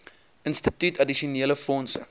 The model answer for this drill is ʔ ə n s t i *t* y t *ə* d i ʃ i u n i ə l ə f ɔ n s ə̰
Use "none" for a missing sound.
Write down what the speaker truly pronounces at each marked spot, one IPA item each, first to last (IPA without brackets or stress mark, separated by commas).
t, ɐ